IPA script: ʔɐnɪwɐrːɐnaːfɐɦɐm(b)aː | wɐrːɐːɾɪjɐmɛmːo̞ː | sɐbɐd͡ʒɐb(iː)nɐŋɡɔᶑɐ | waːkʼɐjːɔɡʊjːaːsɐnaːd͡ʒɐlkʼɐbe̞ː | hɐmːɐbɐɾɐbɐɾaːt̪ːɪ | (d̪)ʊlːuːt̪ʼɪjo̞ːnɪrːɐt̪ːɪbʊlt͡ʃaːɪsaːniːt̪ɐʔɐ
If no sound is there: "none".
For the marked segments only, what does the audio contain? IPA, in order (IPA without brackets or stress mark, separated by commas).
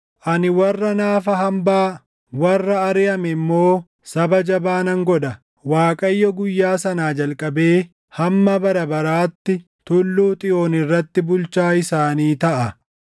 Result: b, aː, t̪